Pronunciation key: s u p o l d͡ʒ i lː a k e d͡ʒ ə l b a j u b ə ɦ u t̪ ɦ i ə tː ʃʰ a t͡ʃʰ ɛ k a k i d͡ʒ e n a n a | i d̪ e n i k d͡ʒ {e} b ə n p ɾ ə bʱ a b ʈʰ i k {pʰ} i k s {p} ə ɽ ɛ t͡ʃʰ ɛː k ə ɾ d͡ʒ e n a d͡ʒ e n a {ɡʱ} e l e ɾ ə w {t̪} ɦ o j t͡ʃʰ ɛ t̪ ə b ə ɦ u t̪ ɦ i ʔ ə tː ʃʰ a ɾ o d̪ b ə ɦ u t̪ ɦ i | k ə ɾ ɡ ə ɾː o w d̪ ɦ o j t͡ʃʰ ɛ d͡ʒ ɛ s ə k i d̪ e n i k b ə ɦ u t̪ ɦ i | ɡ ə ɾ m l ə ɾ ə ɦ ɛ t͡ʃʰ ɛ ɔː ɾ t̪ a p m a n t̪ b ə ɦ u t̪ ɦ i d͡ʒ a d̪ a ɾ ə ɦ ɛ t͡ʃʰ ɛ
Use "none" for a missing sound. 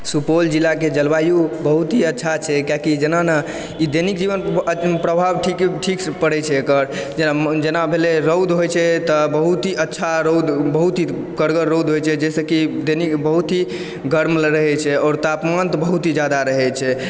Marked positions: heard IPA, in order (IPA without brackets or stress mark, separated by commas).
i, ʈʰ, p, bʱ, d̪